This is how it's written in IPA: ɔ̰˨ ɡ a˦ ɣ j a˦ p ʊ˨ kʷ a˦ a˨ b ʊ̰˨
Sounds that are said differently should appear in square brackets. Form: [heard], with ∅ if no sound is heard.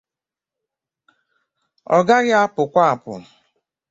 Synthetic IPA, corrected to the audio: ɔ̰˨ ɡ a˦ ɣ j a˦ p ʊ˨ kʷ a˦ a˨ [p] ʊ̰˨